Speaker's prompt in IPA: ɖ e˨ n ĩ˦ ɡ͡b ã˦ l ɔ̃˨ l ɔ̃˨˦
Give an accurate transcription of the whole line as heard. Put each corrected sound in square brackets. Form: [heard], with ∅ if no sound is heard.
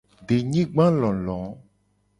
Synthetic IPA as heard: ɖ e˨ [ɲ] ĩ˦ ɡ͡b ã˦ l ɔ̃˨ l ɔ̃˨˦